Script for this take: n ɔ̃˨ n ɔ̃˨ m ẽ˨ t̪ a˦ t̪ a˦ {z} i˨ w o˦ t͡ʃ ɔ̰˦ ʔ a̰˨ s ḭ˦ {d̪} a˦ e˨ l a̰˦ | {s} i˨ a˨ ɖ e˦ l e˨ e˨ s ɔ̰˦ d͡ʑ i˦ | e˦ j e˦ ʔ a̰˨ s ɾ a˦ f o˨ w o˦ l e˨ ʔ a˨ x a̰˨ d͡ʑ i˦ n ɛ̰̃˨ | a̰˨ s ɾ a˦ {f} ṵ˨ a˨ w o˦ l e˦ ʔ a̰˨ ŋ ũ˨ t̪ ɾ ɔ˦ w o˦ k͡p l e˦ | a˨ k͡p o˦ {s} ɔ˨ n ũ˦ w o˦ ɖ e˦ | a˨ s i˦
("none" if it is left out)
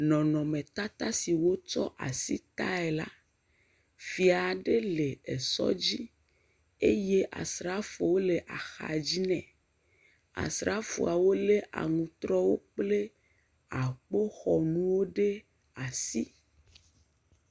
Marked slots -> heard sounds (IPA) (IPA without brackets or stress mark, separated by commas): s, t̪, f, f, x